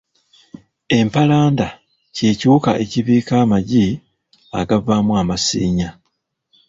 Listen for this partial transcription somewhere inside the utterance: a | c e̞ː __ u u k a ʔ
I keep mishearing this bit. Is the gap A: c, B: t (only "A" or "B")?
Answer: A